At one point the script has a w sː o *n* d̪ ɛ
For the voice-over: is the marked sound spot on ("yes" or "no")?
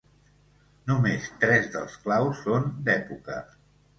yes